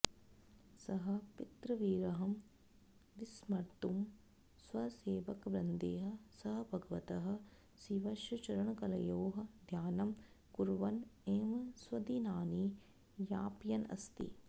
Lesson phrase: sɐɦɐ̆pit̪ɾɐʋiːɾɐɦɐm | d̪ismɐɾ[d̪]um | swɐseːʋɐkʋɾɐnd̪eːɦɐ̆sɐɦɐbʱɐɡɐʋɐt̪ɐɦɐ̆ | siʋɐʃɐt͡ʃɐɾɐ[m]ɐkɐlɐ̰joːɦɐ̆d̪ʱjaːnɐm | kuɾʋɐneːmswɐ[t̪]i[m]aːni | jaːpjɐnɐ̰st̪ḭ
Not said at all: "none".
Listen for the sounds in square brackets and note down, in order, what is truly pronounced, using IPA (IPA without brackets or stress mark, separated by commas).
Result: t̪, ɳ, d̪, n